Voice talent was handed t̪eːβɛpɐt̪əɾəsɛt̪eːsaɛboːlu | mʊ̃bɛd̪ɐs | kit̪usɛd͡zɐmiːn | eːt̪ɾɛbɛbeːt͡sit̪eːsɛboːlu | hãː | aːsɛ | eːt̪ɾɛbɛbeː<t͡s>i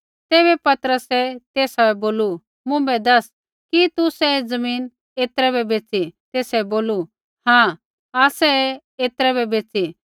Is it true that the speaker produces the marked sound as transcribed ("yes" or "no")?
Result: yes